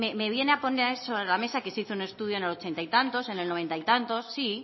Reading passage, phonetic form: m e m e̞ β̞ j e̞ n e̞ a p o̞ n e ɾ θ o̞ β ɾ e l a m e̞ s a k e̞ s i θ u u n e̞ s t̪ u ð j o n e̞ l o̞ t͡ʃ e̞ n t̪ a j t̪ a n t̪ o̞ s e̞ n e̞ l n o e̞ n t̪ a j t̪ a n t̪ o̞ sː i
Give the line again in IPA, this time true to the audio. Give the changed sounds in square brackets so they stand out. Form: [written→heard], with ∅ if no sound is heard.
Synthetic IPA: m e m e̞ β̞ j e̞ n e̞ a p o̞ n e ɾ [θ→s] o̞ β ɾ e l a m e̞ s a k e̞ s i θ [u→o] u n e̞ s t̪ u ð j o n e̞ l o̞ t͡ʃ e̞ n t̪ a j t̪ a n t̪ o̞ s e̞ n e̞ l n o e̞ n t̪ a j t̪ a n t̪ o̞ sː i